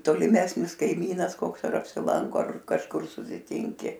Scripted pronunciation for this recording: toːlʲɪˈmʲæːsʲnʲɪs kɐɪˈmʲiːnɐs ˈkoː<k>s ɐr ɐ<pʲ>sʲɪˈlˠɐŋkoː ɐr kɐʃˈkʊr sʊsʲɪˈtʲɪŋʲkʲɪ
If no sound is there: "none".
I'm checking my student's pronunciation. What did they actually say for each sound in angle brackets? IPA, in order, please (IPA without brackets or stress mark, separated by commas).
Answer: k, pʲ